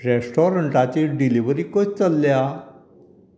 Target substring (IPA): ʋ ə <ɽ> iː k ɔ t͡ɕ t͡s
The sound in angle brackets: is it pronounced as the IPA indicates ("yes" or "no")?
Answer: no